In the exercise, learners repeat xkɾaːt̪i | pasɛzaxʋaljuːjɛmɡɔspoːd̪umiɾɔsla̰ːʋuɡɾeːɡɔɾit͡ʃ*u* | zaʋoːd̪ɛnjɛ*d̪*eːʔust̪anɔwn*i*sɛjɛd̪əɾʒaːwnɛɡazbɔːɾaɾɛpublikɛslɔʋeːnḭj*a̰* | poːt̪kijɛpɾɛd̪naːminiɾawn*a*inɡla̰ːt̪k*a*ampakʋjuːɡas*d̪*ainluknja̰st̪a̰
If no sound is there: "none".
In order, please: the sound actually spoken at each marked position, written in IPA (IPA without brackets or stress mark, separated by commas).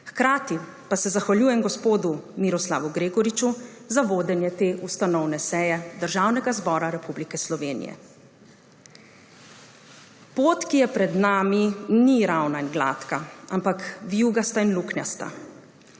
u, t̪, ɛ, ɛ̰, a, a, t̪